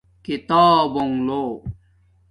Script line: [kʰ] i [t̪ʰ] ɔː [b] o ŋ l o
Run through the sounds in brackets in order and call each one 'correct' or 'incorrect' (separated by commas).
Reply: incorrect, incorrect, correct